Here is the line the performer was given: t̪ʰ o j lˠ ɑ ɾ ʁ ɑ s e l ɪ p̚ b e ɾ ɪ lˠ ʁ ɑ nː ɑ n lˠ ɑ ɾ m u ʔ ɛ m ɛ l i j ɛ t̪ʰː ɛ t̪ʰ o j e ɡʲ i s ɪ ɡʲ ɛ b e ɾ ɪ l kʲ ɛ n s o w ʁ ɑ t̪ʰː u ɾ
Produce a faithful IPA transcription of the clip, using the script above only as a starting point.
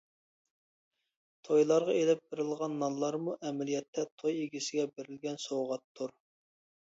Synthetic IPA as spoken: t̪ʰ o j lˠ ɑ ɾ ʁ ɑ e l ɪ p̚ b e ɾ ɪ lˠ ʁ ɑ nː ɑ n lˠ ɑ ɾ m u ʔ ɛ m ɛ l i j ɛ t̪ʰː ɛ t̪ʰ o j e ɡʲ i s ɪ ɡʲ ɛ b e ɾ ɪ l ɡʲ ɛ n s o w ʁ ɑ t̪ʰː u ɾ